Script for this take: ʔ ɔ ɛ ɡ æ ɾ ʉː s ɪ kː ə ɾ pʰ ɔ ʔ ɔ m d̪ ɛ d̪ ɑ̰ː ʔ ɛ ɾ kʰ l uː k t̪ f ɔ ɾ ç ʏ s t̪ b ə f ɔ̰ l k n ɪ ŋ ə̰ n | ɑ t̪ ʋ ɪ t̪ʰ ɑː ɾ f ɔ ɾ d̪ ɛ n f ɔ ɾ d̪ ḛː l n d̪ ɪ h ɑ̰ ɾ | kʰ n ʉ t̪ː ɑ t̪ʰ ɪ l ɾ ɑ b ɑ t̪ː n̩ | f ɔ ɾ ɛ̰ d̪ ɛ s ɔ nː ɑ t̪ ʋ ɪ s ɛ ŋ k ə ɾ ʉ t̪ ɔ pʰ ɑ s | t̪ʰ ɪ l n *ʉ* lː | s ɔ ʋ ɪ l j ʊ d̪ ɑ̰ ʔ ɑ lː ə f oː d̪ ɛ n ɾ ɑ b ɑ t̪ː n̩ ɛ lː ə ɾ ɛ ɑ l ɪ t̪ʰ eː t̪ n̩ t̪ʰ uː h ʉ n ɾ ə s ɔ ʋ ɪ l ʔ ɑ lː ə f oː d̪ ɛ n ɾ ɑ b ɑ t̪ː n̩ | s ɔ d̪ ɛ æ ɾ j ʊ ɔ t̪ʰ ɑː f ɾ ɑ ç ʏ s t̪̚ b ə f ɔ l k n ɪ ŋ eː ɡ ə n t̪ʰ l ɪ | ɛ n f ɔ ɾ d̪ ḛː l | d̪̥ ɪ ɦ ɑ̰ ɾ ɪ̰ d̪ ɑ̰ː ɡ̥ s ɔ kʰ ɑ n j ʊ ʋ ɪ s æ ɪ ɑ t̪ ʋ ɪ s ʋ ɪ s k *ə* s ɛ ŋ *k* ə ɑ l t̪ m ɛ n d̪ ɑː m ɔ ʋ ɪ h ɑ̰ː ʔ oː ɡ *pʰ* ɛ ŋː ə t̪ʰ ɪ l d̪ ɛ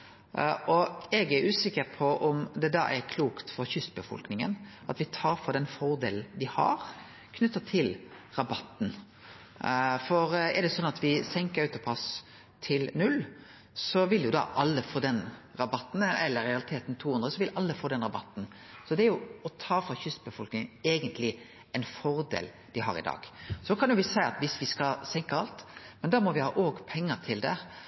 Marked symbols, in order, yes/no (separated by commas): yes, no, yes, yes